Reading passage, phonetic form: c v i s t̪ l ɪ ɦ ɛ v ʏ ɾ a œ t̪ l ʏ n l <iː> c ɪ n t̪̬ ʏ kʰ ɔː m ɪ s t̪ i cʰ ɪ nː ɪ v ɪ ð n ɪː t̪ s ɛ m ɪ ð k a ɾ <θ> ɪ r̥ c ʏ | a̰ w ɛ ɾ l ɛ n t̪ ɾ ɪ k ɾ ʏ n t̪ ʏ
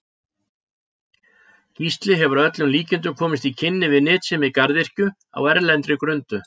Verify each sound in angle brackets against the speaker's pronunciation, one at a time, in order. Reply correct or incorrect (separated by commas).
correct, incorrect